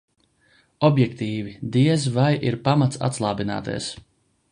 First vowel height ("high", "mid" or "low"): mid